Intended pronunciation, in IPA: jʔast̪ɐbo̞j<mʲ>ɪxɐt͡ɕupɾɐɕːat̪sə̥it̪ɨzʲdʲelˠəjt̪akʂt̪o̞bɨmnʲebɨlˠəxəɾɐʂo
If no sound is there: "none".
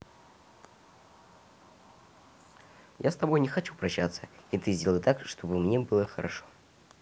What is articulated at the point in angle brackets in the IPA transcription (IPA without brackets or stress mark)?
nʲ